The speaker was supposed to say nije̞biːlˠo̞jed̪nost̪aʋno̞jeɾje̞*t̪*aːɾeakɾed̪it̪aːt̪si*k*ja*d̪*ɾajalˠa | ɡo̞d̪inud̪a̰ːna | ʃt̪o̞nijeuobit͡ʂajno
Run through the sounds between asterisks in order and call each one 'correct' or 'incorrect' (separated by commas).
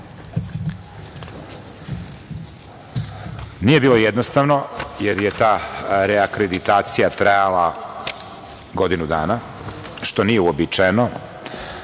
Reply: correct, incorrect, incorrect